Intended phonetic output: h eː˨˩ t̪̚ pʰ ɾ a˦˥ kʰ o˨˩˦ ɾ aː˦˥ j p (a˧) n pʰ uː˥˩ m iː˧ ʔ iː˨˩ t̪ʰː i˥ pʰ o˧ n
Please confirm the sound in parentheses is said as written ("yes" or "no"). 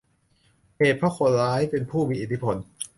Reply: no